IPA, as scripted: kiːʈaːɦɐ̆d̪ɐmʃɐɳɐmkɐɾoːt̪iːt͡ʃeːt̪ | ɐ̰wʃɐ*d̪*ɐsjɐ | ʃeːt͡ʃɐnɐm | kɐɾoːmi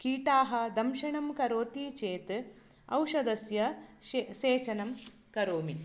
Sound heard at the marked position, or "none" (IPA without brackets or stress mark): d̪